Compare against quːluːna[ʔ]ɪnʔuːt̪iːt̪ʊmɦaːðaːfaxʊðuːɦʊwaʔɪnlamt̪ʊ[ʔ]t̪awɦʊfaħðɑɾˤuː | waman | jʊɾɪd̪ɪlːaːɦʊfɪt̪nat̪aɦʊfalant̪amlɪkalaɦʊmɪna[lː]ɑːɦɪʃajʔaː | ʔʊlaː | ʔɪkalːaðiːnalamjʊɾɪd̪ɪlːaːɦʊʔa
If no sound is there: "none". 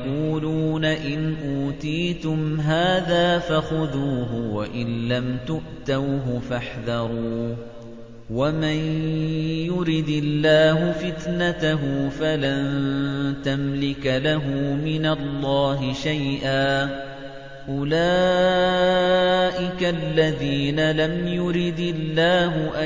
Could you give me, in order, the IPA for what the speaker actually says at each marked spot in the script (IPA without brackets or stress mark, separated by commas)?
ʔ, ʔ, lː